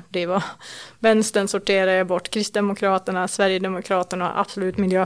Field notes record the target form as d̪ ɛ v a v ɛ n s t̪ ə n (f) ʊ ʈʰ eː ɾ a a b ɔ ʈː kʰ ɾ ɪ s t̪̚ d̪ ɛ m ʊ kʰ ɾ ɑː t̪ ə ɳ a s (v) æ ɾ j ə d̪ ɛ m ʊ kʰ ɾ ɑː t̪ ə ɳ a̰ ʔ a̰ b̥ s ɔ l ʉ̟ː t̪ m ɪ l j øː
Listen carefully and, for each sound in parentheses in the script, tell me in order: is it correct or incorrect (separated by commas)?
incorrect, correct